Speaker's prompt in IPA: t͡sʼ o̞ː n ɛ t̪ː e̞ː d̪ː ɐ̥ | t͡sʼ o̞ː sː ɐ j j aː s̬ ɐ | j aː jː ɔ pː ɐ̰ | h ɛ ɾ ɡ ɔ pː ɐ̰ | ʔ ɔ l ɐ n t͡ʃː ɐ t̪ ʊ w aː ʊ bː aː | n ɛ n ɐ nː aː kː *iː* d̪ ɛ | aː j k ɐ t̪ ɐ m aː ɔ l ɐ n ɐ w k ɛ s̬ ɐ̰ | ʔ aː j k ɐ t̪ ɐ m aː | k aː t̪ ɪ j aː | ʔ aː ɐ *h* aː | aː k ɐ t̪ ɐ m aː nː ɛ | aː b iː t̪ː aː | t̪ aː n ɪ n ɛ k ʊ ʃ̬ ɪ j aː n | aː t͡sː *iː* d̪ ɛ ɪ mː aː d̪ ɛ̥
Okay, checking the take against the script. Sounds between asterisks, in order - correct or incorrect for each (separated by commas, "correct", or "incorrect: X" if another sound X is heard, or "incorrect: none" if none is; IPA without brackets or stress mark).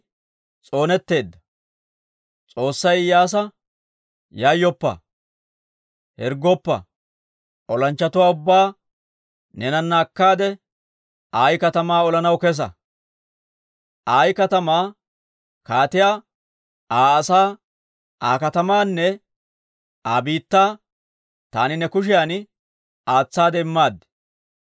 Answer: incorrect: aː, incorrect: s, incorrect: aː